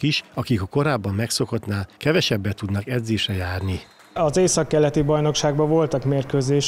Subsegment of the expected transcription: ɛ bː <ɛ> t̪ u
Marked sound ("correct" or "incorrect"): correct